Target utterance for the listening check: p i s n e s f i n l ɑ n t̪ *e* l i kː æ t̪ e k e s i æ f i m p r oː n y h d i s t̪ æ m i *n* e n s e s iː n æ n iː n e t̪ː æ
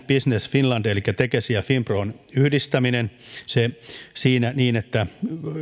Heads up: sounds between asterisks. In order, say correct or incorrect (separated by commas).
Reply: correct, correct